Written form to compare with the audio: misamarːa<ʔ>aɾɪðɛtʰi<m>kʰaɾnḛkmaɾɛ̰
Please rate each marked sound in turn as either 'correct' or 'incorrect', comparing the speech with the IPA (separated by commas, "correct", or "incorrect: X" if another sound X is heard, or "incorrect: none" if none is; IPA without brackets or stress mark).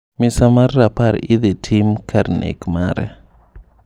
incorrect: p, correct